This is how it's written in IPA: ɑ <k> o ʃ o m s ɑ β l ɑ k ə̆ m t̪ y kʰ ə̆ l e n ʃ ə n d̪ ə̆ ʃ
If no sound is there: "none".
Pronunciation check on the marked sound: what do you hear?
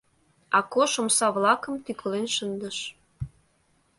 k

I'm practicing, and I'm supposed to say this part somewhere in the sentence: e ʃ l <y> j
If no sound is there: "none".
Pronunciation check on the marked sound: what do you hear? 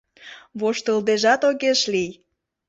i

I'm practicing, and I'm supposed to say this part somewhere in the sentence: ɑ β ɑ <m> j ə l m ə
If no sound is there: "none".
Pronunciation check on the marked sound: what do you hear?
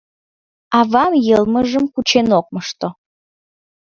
m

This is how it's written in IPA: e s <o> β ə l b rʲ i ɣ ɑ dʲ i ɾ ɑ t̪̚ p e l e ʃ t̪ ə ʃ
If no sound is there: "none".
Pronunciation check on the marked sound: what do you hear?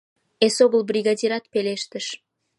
o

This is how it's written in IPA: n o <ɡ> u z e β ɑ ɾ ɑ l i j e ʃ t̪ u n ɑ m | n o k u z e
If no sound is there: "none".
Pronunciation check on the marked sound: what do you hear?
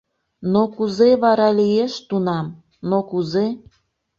k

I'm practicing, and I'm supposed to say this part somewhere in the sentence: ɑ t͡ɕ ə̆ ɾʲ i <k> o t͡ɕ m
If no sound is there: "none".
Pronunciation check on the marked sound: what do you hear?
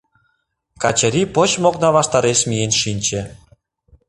p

